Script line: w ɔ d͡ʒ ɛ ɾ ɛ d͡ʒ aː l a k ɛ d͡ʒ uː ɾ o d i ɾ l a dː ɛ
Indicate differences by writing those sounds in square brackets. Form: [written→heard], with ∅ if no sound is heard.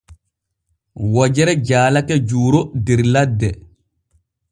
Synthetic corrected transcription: w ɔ d͡ʒ ɛ ɾ ɛ d͡ʒ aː l a k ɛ d͡ʒ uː ɾ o d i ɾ l a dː ɛ

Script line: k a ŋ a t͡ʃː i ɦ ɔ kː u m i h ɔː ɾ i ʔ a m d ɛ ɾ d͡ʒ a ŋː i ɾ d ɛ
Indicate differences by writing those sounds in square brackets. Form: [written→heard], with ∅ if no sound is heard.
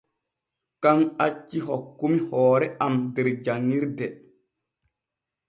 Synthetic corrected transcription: k a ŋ a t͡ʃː i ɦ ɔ kː u m i h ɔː ɾ [i→ɛ] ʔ a m d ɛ ɾ d͡ʒ a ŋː i ɾ d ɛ

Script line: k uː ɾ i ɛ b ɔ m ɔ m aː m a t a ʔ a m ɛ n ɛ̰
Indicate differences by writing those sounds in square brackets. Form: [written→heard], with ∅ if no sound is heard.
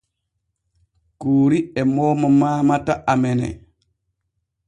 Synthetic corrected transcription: k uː ɾ i ɛ [b→m] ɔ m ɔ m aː m a t a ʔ a m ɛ n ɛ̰

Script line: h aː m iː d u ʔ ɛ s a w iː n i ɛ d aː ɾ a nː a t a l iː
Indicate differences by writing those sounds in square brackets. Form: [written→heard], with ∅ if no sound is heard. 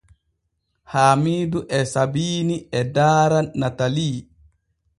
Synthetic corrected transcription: h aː m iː d u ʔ ɛ s a [w→b] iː n i ɛ d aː ɾ a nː a t a l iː

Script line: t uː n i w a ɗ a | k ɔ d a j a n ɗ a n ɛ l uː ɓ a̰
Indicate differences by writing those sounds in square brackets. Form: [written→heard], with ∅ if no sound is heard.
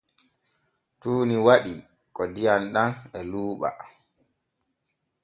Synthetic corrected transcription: t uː n i w a ɗ [a→i] | k ɔ d [a→i] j a n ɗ a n ɛ l uː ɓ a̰

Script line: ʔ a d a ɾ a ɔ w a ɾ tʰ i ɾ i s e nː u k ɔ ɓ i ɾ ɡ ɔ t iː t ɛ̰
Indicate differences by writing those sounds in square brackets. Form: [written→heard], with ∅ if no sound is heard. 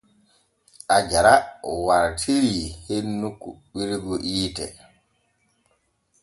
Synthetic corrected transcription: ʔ a [d→d͡ʒ] a ɾ a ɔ w a ɾ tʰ i ɾ i [s→h] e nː u k [ɔ→u] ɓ i ɾ ɡ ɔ [t→ʔ] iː t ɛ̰

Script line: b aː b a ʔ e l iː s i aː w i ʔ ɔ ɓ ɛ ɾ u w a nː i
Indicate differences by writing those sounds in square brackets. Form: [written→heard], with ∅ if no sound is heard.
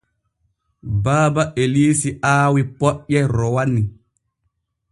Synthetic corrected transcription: b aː b a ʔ e l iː s i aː w i [ʔ→p] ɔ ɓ ɛ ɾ [u→ɔ] w a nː i

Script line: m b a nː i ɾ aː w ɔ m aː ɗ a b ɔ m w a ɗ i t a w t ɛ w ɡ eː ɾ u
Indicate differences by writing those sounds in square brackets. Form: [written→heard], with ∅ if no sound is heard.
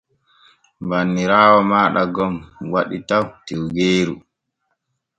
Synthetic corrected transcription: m b a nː i ɾ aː w ɔ m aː ɗ a [b→ɡ] ɔ m w a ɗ i t a w t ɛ w ɡ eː ɾ u

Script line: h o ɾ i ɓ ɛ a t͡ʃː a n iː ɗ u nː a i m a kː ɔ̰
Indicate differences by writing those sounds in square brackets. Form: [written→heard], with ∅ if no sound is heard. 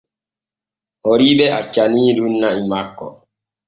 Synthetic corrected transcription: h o ɾ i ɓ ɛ a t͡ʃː a n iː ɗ u nː a i m a kː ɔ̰

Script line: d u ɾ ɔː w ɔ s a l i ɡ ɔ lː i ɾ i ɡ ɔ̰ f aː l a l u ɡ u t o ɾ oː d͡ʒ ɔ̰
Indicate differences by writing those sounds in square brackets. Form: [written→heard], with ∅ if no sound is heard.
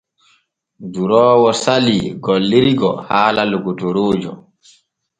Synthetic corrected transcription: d u ɾ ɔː w ɔ s a l i ɡ ɔ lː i ɾ i ɡ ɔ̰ [f→h] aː l a l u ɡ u t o ɾ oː d͡ʒ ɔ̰

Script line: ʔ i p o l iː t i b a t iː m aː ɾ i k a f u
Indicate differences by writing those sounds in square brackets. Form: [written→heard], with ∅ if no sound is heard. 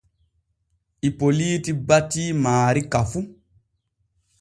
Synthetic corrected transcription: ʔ i p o l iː t i b a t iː m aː ɾ i k a f u

